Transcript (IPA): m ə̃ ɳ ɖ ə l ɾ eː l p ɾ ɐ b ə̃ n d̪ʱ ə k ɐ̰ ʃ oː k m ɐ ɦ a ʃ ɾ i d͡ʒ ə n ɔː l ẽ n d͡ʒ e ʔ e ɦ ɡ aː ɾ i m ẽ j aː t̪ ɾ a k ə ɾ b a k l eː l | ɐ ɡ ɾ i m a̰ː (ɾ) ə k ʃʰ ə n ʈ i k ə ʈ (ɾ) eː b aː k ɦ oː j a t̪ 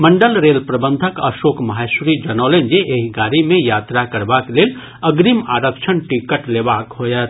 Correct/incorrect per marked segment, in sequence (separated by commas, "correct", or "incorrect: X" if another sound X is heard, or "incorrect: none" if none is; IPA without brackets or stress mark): correct, incorrect: l